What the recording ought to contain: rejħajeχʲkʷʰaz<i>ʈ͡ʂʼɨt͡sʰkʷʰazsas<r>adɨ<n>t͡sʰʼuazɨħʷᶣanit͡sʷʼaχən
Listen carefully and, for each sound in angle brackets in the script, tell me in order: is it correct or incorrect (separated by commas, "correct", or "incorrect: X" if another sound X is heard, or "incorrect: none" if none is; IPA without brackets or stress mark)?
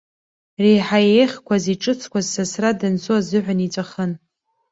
correct, correct, correct